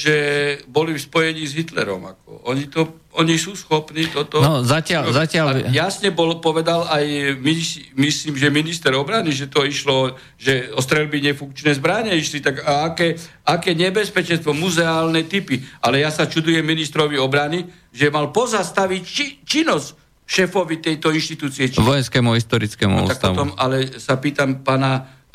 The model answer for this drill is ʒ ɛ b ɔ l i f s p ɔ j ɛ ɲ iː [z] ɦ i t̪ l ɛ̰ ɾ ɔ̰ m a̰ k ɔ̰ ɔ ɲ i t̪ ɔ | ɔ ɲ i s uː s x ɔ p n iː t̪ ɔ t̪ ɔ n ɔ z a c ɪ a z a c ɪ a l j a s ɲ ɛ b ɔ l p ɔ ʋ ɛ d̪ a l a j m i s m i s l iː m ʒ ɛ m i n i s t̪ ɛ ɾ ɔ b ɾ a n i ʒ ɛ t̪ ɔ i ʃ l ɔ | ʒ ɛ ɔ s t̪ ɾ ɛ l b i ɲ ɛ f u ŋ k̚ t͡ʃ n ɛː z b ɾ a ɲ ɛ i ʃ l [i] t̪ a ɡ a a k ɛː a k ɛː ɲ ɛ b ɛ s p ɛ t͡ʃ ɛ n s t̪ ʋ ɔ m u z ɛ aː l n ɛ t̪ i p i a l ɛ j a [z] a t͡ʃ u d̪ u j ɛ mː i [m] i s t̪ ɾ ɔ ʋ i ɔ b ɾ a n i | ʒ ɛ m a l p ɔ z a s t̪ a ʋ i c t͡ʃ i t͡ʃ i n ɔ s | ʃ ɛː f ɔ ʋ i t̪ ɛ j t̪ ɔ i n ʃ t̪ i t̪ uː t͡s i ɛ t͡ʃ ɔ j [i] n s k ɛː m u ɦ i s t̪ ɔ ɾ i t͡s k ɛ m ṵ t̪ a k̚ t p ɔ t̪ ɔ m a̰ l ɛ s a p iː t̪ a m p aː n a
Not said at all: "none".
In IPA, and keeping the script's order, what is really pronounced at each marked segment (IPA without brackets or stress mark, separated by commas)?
z, i, s, n, ɛ